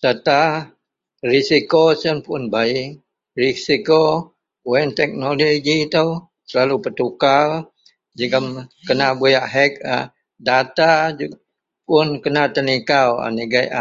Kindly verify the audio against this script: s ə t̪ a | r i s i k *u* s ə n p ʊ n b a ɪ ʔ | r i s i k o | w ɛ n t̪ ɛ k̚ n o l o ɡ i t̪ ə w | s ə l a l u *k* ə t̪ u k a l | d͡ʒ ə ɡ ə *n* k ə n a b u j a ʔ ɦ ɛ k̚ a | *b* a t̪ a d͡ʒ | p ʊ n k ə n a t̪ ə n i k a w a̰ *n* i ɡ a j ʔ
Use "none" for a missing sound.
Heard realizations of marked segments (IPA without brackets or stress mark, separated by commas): o, p, m, d, n